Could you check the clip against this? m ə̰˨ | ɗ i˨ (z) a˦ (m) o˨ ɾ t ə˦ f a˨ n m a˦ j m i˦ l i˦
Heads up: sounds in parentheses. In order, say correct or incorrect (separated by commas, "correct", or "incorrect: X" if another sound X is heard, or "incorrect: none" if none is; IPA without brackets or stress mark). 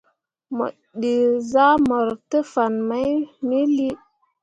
correct, correct